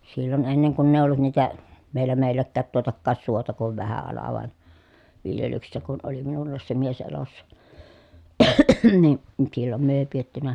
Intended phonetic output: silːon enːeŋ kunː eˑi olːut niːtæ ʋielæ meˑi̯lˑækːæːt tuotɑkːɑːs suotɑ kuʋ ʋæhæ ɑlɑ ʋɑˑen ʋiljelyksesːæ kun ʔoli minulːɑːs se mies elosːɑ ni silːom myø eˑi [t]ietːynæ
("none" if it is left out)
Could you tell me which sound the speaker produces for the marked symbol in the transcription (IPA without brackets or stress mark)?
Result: p